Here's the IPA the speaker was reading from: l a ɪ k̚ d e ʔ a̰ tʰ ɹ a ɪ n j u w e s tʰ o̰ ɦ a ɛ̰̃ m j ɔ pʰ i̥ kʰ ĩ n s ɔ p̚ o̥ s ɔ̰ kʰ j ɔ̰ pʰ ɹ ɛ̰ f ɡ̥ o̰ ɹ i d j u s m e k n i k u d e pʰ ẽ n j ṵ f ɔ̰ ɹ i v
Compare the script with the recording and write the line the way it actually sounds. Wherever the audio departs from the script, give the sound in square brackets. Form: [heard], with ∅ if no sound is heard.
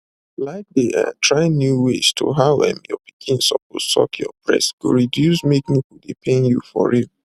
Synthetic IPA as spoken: l a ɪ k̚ d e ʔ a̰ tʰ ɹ a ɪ n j u w e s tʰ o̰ ɦ a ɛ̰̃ m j ɔ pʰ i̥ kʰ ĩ n s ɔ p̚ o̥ s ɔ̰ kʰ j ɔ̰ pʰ ɹ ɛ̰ [s] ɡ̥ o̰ ɹ i d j u s m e k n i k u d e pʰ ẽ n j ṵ f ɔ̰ ɹ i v